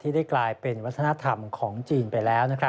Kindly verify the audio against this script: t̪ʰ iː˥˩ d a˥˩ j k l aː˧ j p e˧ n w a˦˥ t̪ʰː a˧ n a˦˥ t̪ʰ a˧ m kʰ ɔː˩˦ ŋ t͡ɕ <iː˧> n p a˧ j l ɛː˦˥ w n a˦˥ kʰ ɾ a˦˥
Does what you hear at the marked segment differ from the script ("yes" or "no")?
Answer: no